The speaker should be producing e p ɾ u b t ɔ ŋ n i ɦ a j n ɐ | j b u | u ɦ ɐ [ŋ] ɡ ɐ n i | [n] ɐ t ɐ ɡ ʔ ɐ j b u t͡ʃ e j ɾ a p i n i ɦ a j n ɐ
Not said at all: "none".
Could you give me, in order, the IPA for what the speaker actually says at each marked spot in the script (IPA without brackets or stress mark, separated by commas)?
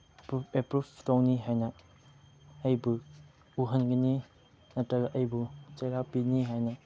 n, n